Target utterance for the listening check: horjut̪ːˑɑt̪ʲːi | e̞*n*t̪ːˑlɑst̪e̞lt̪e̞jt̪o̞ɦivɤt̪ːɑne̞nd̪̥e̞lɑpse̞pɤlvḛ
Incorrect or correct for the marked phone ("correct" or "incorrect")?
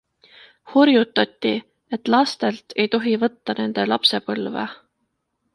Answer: incorrect